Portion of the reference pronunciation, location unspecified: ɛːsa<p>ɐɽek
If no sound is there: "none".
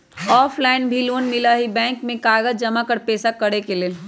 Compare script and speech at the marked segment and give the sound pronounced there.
k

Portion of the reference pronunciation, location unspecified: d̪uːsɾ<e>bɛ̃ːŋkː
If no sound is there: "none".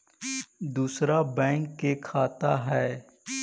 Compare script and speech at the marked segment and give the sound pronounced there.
a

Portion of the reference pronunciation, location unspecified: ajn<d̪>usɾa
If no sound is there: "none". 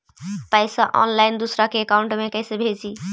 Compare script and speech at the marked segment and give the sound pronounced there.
d̪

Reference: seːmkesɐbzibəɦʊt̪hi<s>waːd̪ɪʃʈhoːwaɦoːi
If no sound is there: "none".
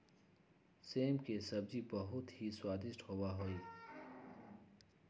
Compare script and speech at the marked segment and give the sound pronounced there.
s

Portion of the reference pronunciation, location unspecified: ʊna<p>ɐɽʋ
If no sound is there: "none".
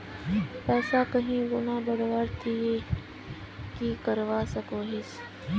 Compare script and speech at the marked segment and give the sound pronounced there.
b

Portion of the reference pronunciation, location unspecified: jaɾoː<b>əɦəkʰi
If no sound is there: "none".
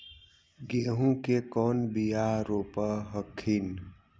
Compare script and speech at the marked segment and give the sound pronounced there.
p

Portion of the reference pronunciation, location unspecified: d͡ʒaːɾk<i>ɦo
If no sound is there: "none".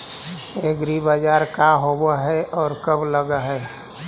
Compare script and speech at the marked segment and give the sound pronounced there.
a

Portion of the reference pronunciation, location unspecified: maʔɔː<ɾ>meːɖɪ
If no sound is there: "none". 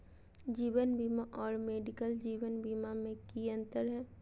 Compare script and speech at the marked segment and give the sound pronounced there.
ɾ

